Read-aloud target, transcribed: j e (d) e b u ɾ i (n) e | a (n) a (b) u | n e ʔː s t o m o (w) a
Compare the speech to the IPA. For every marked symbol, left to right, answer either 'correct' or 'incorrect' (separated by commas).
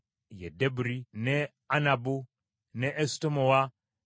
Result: correct, correct, correct, correct, correct